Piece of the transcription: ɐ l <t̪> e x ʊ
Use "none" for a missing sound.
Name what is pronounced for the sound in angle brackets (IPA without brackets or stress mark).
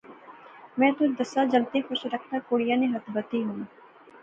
t̪